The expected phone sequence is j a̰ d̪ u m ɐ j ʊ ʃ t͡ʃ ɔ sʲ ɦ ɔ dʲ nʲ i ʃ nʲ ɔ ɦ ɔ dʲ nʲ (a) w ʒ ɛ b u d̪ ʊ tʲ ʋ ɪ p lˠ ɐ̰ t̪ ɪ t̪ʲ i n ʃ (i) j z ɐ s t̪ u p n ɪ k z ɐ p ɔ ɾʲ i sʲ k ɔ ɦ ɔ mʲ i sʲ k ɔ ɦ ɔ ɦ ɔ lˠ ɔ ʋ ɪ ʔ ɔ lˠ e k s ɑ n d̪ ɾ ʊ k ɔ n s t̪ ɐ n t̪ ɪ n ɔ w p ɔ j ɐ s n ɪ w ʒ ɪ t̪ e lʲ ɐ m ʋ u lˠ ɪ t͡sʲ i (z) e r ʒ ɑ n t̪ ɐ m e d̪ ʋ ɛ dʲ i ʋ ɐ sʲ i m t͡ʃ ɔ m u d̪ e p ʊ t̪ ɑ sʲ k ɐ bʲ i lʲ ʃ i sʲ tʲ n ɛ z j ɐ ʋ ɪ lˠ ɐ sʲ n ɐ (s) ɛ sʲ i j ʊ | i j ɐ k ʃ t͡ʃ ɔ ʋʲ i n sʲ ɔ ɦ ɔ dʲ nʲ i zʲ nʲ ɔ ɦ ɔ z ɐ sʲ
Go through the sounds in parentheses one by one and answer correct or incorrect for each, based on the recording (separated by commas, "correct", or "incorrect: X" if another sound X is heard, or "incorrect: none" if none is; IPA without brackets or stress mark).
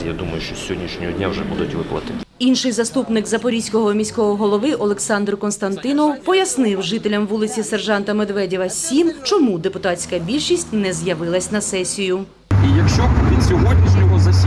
correct, incorrect: ɪ, incorrect: s, correct